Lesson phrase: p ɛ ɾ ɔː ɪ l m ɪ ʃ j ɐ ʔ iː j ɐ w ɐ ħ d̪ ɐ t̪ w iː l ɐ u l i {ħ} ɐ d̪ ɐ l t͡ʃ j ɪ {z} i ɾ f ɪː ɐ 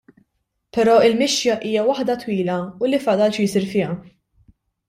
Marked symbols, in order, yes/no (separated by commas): no, no